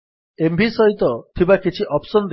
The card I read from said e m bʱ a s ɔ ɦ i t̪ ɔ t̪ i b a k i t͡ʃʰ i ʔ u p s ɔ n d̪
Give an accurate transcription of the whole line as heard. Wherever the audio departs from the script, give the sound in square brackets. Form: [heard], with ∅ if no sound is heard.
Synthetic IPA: e m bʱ [i] s ɔ ɦ i t̪ ɔ [t̪ʰ] i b a k i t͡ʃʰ i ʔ [ɔ] p s ɔ n d̪